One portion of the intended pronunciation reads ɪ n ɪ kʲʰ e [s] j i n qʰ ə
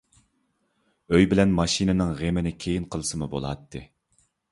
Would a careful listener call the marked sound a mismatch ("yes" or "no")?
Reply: yes